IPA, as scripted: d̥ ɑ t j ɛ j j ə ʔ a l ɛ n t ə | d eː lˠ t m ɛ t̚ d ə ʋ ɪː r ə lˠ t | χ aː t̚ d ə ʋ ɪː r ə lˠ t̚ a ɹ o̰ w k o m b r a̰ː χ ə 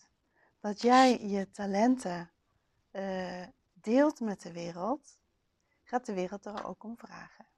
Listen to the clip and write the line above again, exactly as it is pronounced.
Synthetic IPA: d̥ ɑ t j ɛ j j ə t a l ɛ n t ə | d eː lˠ t m ɛ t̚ d ə ʋ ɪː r ə lˠ t | χ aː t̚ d ə ʋ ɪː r ə lˠ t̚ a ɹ o̰ w k ɔ m v r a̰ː χ ə